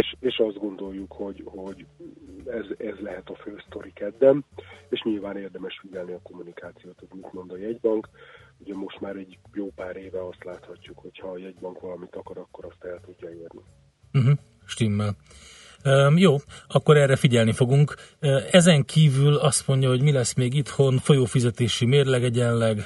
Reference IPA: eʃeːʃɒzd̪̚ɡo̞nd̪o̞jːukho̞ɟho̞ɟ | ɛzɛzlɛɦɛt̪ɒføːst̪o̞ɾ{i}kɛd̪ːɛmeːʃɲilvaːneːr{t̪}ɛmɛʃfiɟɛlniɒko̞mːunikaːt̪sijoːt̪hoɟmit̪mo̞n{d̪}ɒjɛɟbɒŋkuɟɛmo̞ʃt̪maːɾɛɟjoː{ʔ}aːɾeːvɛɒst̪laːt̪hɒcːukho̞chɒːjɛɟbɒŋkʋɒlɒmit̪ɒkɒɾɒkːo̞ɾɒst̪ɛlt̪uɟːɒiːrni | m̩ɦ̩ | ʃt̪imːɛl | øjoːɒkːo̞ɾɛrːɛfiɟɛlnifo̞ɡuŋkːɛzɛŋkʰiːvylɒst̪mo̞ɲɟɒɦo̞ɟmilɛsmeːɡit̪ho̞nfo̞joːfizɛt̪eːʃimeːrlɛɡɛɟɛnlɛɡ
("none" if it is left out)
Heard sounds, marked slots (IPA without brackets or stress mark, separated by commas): i, d̪, d̪, p